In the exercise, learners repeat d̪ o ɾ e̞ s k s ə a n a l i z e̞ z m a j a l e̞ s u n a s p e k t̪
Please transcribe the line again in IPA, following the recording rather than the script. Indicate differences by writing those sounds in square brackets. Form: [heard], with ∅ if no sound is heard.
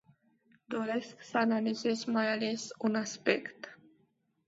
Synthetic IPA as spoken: d̪ o ɾ e̞ s k s ə a n a l i z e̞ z m a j a l e̞ s u n a s p e k t̪